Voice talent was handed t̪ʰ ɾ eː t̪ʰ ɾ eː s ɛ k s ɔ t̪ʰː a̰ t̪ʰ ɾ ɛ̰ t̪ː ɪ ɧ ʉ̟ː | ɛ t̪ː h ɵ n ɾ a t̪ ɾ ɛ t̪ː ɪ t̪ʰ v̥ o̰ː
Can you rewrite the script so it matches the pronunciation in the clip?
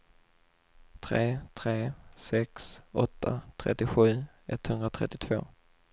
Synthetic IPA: t̪ʰ ɾ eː t̪ʰ ɾ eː s ɛ k s ɔ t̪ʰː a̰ t̪ʰ ɾ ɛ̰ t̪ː ɪ ɧ ʉ̟ː | ɛ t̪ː h ɵ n ɾ a t̪ʰ ɾ ɛ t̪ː ɪ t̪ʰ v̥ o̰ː